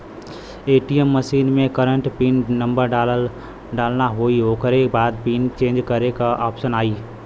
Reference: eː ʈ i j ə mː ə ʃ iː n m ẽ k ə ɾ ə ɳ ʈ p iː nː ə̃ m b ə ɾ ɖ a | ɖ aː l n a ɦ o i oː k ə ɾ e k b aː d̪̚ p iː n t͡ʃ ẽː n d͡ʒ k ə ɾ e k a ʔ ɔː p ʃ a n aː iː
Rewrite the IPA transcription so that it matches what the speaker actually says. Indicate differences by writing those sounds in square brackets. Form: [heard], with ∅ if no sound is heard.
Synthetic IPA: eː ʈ i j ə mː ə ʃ iː n m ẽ k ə ɾ ə ɳ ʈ p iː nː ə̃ m b ə ɾ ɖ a | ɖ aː l n a ɦ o i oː k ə ɾ e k b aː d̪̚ p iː n t͡ʃ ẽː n d͡ʒ k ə ɾ e k a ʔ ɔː p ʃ [ə] n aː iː